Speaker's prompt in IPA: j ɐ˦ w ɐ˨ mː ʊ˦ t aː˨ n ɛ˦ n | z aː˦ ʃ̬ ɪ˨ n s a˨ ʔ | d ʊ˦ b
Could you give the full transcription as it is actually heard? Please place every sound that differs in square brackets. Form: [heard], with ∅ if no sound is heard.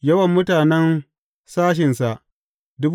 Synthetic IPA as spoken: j ɐ˦ w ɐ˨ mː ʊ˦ t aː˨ n ɛ˦ n | [s] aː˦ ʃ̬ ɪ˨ n s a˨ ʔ | d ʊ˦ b